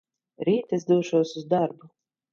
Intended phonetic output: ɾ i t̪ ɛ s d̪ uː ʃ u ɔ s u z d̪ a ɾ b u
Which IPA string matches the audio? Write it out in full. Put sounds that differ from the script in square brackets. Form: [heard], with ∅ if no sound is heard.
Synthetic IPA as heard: ɾ [iː] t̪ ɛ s d̪ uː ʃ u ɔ s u z d̪ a ɾ b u